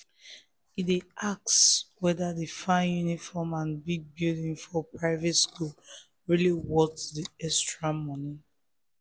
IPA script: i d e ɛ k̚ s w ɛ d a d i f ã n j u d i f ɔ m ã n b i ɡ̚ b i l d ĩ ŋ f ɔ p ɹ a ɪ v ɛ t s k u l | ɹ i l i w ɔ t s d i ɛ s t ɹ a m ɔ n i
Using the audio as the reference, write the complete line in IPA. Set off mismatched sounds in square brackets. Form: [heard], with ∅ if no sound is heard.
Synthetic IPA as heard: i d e [a] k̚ s w ɛ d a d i f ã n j u [n] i f ɔ m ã n b i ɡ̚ b i l d ĩ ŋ f ɔ p ɹ a ɪ v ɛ t s k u l | ɹ i l i w ɔ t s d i ɛ s t ɹ a m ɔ n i